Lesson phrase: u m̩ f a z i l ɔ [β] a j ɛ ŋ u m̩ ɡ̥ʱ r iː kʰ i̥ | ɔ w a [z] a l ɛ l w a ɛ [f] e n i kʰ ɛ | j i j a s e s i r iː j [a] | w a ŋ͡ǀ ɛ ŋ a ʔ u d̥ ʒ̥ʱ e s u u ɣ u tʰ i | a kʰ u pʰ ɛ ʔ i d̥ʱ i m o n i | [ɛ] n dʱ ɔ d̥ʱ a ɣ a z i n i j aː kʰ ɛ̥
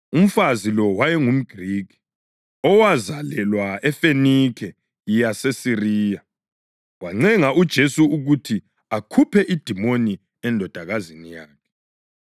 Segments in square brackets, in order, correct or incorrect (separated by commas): incorrect, correct, correct, correct, correct